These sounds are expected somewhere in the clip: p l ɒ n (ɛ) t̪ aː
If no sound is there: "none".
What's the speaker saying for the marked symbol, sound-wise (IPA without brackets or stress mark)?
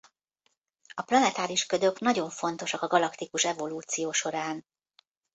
ɛ